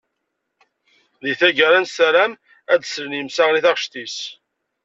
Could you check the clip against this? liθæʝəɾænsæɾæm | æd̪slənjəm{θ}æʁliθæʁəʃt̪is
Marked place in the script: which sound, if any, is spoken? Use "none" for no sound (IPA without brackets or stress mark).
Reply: s